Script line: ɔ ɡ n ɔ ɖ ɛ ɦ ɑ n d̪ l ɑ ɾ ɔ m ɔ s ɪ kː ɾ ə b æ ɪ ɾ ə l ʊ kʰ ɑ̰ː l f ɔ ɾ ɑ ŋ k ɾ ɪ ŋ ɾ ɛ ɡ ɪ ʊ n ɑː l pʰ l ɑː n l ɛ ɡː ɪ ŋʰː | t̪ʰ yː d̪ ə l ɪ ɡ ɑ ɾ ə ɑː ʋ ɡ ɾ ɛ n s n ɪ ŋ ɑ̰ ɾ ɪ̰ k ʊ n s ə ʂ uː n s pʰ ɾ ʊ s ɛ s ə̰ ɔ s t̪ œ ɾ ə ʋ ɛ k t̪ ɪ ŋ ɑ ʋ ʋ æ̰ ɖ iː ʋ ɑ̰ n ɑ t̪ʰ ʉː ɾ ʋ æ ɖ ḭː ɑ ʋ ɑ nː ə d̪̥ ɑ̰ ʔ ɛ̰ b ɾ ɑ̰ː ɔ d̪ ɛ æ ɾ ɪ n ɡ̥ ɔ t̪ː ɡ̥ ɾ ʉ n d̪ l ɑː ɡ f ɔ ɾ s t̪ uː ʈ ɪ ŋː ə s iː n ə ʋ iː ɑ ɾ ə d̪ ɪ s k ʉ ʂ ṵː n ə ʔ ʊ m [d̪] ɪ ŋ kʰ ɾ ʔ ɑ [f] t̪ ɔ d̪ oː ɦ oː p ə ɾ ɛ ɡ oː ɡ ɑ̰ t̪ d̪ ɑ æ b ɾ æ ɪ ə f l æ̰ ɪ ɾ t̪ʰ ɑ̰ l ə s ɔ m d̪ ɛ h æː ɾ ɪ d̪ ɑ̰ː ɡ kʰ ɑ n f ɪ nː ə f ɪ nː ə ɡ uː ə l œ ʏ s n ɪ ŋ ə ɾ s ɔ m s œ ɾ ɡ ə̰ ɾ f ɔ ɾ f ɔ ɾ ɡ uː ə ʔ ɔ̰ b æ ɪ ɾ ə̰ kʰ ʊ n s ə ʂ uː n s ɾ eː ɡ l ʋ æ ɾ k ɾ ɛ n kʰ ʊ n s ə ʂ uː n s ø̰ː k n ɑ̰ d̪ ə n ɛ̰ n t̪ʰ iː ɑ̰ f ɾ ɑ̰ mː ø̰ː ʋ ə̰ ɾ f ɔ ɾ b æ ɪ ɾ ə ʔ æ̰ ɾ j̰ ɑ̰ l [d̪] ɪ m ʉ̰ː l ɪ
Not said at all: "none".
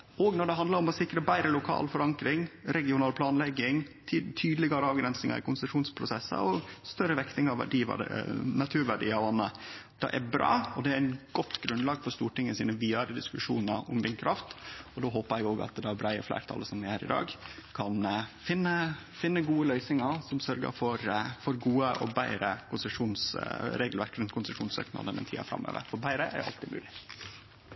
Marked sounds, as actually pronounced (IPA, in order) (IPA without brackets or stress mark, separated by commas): d̪, f, t̪